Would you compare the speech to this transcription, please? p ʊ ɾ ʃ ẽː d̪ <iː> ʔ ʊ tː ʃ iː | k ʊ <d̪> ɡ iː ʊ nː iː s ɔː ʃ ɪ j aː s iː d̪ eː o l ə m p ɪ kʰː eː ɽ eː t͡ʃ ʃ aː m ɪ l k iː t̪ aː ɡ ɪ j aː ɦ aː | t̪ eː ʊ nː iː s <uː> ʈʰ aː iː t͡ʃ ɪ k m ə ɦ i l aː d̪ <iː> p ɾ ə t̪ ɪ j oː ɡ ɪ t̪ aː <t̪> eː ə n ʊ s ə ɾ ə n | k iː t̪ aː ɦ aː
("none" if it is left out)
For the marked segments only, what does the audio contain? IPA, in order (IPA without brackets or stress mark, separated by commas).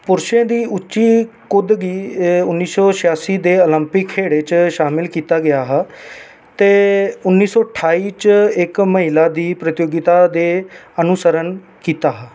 iː, d̪, ɔː, iː, d̪